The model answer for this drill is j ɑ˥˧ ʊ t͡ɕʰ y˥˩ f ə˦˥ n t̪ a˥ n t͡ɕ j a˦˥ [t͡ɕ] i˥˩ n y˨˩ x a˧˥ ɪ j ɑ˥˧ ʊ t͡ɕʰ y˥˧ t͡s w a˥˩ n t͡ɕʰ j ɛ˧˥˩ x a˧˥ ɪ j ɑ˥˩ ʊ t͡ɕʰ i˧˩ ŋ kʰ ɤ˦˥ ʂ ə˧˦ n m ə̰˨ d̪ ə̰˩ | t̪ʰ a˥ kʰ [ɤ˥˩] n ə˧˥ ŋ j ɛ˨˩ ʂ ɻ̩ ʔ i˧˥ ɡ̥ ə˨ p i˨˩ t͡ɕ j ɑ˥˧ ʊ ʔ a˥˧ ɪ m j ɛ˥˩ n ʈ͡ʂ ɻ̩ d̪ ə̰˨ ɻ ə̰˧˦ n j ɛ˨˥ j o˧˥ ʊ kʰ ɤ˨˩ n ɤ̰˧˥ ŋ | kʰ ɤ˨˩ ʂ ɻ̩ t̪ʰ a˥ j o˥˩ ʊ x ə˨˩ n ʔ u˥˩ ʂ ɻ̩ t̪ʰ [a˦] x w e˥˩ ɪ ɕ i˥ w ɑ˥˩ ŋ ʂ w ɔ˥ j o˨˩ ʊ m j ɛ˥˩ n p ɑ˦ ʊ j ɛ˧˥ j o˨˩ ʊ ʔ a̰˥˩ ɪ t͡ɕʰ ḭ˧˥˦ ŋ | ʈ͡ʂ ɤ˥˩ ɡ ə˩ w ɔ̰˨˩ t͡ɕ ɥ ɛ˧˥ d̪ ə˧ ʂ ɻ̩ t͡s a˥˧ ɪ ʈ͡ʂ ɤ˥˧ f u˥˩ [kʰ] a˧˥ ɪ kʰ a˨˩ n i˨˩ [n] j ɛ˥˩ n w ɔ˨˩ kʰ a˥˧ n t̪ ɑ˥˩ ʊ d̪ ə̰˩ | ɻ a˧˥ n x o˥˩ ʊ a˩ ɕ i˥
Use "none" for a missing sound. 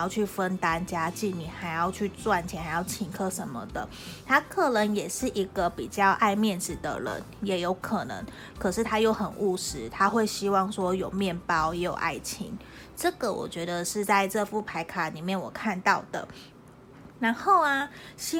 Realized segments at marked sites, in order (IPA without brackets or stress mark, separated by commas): t͡ɕ, ɤ˥˩, a˦, pʰ, m